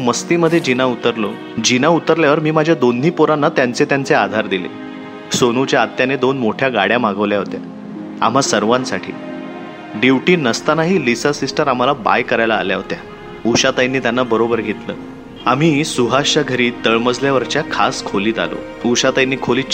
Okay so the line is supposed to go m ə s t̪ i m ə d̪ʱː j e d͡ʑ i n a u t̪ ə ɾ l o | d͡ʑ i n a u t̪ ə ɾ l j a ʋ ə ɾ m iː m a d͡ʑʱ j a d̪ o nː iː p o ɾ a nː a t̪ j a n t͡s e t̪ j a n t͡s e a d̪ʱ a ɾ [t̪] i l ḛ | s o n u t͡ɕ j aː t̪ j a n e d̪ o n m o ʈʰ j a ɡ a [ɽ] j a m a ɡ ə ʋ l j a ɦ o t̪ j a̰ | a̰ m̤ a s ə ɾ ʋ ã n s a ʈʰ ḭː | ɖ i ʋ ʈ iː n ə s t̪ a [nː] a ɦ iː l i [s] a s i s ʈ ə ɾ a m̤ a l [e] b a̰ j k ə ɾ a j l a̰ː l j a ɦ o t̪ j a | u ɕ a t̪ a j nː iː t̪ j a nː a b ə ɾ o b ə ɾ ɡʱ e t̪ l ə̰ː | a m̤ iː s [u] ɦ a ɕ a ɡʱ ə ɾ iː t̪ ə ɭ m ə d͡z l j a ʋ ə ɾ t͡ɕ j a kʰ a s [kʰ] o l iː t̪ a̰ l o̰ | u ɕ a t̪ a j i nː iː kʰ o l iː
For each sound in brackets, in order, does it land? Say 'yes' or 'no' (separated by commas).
no, yes, no, yes, no, yes, yes